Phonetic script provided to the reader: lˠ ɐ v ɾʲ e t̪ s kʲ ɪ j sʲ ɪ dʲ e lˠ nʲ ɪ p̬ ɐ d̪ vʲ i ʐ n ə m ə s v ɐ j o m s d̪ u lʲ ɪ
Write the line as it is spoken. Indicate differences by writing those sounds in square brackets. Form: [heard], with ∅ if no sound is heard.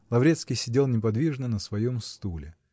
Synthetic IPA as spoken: lˠ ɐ v ɾʲ e t̪ s kʲ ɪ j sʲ ɪ dʲ e lˠ nʲ ɪ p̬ ɐ d̪ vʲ i ʐ n ə [n] ə s v ɐ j o m s [t̪] u lʲ ɪ

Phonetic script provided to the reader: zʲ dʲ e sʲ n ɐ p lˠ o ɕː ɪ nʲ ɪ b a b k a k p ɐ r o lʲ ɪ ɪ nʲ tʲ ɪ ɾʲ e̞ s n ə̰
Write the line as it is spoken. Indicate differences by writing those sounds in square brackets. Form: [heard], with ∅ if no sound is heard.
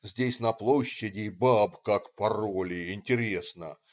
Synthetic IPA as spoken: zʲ dʲ e sʲ n ɐ p lˠ o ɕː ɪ [dʲ] ɪ b a b k a k p ɐ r o lʲ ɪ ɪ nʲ tʲ ɪ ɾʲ e̞ s n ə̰

